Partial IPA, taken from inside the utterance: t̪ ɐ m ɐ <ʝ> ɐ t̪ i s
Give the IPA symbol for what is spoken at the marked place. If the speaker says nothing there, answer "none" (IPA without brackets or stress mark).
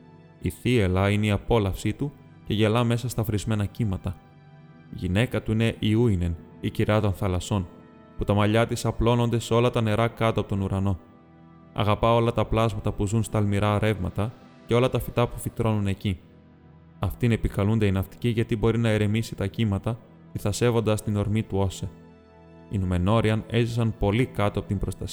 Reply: ʎ